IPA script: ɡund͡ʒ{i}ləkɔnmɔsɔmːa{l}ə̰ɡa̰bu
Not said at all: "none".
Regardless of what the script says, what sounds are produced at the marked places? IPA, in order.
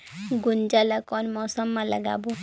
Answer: a, l

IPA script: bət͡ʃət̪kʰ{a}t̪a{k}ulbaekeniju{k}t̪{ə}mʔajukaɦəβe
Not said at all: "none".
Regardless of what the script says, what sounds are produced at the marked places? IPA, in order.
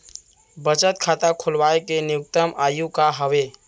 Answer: a, kʰ, k, ə

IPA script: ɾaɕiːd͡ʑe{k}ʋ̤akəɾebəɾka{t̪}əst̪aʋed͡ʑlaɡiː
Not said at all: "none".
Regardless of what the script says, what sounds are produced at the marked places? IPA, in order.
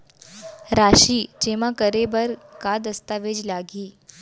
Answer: none, d̪

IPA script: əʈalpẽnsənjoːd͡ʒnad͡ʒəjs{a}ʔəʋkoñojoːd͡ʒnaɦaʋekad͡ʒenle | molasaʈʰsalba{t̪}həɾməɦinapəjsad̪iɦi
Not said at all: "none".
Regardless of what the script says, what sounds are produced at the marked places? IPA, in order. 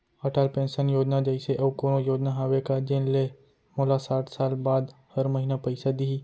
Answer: e, d̪

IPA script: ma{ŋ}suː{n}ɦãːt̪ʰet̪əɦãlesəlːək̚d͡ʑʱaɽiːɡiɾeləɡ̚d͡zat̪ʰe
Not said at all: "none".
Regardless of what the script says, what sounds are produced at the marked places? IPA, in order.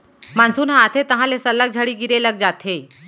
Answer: n, n

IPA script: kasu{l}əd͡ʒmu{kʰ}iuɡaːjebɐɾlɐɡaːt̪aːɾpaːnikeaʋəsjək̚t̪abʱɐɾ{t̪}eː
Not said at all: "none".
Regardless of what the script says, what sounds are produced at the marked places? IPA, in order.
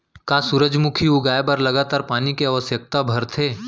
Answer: ɾ, kʰ, t̪ʰ

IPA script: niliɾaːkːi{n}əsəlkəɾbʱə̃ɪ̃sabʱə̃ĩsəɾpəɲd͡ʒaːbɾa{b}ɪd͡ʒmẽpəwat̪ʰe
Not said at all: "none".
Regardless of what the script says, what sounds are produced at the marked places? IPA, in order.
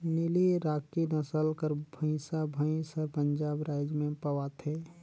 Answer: n, none

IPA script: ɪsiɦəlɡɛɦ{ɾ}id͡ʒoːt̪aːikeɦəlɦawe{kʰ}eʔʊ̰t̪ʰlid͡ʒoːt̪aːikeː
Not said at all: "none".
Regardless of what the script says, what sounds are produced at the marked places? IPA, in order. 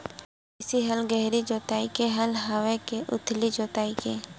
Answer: ɾ, k

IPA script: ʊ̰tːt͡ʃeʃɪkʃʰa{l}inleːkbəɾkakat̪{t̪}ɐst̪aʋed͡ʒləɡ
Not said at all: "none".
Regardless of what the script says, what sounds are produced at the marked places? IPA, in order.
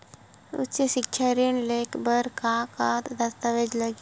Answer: ɾ, d̪

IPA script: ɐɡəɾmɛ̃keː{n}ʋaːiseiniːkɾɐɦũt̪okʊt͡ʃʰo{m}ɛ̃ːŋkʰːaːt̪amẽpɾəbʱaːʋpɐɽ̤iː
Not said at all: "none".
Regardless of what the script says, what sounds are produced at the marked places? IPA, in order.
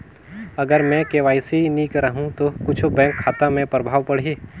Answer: none, b

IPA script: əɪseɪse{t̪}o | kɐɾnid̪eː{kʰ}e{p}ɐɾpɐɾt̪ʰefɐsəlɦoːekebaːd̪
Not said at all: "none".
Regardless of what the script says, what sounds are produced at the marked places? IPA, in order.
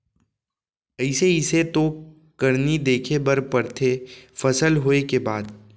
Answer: t̪, kʰ, b

